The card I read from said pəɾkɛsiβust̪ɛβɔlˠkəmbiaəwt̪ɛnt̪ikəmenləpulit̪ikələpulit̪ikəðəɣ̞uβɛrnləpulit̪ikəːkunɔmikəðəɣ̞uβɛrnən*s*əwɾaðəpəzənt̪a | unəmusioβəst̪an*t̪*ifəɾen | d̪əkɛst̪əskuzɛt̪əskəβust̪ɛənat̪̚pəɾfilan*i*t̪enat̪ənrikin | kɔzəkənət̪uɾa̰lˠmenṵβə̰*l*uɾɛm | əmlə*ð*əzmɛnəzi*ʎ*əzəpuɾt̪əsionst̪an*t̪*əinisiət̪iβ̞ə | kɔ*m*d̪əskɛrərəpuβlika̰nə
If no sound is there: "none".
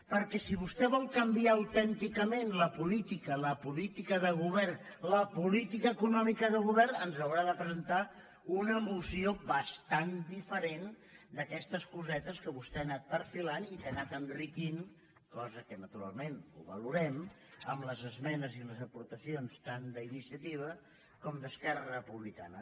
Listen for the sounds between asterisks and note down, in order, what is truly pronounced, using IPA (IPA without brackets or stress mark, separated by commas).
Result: z, d̪, i, l, z, l, d̪, m